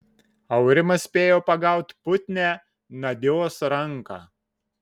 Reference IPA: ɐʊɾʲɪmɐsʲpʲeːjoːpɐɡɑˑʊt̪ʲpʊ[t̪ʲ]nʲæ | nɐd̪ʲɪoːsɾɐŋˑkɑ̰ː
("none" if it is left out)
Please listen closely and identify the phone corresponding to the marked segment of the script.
t̪ʲ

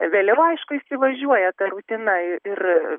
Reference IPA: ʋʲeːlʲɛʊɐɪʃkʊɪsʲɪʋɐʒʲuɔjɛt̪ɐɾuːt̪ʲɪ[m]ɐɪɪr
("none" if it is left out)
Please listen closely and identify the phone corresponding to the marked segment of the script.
n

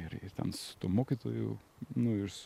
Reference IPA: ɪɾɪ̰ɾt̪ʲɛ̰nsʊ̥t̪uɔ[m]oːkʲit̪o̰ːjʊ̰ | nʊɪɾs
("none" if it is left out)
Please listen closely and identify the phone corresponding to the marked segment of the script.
m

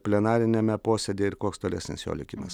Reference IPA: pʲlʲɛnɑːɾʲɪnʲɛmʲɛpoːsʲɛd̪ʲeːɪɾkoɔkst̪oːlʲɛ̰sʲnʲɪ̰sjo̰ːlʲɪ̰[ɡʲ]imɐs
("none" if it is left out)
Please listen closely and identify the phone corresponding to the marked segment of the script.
kʲ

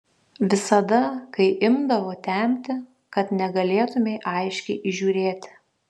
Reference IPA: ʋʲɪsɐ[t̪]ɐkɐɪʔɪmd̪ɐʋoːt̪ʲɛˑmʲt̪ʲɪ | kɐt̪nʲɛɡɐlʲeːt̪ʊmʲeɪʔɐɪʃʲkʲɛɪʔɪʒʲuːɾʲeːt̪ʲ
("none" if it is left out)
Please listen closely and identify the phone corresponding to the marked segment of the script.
d̪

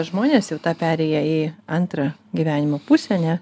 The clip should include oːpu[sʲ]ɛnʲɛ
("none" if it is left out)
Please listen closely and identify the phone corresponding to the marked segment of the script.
sʲ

